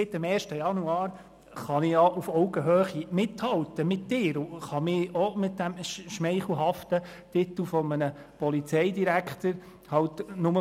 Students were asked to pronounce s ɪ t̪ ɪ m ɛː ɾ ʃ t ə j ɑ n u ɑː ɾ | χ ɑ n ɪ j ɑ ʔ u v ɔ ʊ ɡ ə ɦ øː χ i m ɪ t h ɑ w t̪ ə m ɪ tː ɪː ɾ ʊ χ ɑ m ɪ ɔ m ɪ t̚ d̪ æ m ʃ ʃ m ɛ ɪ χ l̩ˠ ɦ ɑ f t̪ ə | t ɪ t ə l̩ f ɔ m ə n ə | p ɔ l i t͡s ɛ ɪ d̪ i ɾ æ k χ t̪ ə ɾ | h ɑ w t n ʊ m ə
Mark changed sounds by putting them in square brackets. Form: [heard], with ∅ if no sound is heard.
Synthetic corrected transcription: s ɪ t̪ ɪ m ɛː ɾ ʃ t ə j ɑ n u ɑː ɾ | χ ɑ n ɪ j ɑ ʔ u [f] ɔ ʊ ɡ ə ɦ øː χ i m ɪ t h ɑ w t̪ ə m ɪ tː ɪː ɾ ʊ χ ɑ m ɪ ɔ m ɪ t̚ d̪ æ m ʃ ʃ m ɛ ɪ χ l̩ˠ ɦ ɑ f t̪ ə | t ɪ t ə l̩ f ɔ m ə n ə | p ɔ l i t͡s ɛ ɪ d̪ i ɾ æ k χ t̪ ə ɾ | h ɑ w t n ʊ m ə